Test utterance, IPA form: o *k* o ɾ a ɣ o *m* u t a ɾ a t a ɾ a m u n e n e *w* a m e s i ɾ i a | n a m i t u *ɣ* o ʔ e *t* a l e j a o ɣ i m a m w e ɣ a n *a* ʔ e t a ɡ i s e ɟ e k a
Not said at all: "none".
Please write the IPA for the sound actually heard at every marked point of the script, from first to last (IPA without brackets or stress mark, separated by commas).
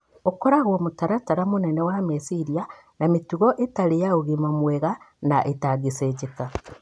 k, m, w, ɣ, t, a